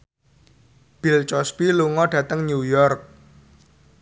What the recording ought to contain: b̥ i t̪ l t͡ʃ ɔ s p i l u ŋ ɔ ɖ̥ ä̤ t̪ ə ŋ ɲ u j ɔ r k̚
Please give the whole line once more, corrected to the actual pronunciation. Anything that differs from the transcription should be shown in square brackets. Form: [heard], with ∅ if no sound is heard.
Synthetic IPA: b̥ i [∅] l t͡ʃ ɔ s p i l u ŋ ɔ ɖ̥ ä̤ t̪ ə ŋ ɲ u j ɔ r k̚